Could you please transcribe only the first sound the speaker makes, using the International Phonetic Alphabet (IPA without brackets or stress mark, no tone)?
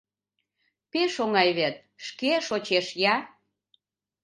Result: p